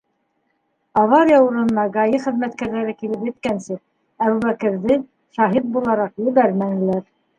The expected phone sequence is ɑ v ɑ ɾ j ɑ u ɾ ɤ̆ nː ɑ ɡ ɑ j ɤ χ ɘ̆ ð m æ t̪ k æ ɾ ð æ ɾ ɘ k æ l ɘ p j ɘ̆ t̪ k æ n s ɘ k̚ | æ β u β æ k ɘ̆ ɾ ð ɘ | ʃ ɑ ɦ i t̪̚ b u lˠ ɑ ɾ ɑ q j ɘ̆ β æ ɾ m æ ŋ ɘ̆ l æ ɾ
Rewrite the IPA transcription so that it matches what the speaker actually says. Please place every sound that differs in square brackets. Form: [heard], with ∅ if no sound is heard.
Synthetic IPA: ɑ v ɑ ɾ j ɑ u ɾ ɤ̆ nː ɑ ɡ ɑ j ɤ χ ɘ̆ ð m æ t̪ k æ ɾ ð æ ɾ ɘ k [i] l ɘ p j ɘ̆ t̪ k æ n s ɘ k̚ | æ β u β æ k ɘ̆ ɾ ð ɘ | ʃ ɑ ɦ i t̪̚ b u lˠ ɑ ɾ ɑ q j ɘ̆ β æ ɾ m æ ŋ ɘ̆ l æ ɾ